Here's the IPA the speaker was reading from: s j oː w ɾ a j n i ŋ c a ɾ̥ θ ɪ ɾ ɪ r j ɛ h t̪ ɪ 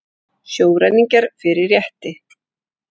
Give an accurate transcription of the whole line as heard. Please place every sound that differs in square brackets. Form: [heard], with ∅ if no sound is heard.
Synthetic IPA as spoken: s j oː w ɾ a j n i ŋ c a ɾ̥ [f] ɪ ɾ ɪ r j ɛ h t̪ ɪ